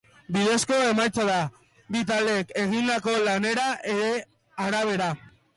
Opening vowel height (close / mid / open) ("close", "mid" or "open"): close